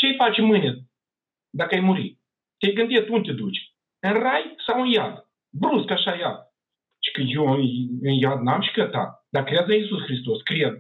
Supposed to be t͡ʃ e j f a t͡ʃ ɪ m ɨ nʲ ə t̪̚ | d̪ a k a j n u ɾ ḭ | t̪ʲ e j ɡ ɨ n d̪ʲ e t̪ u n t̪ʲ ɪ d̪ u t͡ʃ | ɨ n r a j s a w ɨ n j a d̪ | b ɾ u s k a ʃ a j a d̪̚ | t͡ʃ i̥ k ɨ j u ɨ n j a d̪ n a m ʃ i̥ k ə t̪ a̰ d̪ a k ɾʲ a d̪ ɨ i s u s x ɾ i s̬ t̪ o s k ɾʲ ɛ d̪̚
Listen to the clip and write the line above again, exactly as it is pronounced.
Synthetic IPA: t͡ʃ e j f a t͡ʃ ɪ m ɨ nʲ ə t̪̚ | d̪ a k a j m u ɾ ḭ | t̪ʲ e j ɡ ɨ n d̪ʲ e t̪ u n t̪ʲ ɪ d̪ u t͡ʃ | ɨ n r a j s a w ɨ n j a d̪ | b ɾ u s k a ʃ a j a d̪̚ | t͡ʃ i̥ k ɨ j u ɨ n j a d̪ n a m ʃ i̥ k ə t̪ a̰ d̪ a k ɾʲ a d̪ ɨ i s u s x ɾ i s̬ t̪ o s k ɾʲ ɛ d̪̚